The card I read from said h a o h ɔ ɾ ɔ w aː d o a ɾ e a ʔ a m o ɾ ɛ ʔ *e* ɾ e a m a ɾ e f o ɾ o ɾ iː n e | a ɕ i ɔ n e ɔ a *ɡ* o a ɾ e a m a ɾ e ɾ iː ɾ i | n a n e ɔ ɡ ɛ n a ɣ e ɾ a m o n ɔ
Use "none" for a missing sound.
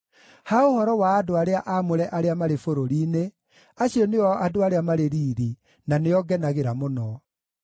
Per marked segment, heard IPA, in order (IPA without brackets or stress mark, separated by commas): a, d